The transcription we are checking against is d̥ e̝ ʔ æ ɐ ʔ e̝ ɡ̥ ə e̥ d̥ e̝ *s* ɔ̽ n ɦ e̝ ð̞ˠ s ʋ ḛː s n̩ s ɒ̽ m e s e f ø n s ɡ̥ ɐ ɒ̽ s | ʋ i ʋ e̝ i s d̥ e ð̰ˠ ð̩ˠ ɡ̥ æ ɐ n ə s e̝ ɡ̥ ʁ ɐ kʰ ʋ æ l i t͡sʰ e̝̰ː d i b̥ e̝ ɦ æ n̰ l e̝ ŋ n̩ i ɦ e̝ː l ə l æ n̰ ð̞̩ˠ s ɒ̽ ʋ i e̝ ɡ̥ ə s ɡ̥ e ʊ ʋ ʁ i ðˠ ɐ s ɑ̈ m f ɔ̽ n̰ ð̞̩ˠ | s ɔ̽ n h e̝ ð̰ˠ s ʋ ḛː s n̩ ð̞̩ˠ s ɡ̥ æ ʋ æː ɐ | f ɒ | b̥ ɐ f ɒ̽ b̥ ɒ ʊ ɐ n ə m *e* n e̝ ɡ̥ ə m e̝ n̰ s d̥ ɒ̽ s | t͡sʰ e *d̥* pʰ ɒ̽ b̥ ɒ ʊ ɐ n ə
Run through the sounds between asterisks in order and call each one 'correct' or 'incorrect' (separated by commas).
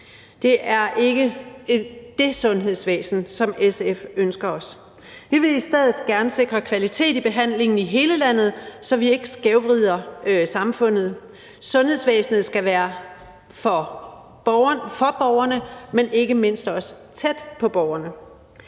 correct, correct, correct